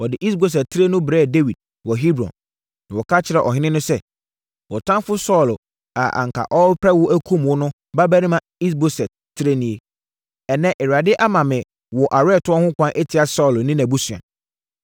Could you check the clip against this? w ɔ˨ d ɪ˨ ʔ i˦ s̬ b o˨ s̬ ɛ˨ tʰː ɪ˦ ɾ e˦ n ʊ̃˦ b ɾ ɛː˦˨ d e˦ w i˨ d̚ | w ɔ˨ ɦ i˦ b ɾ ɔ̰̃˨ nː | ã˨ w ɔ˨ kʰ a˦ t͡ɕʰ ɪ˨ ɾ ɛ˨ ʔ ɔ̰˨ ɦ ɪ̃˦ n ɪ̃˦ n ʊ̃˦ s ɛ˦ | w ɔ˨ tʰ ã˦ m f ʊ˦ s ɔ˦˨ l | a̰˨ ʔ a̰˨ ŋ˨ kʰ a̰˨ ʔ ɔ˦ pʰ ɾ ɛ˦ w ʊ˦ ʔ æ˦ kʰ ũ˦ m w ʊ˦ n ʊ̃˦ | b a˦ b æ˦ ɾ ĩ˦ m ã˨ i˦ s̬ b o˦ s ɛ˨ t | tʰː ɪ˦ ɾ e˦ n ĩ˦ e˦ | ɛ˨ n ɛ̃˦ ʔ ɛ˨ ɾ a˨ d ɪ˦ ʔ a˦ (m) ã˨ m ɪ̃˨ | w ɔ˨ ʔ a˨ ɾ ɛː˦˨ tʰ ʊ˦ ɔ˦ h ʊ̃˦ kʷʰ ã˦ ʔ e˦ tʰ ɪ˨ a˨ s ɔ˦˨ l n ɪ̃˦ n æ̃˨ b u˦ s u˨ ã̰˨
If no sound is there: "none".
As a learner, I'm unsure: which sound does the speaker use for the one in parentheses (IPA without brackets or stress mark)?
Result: m